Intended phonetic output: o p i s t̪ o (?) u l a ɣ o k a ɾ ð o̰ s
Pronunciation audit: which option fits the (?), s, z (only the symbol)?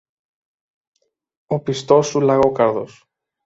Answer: s